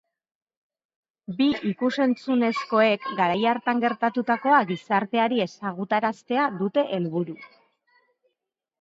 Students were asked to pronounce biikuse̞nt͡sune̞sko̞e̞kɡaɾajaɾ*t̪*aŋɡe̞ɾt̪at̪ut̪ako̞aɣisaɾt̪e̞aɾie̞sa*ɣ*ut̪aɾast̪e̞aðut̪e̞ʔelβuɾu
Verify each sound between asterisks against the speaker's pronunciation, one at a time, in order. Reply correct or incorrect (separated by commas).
correct, correct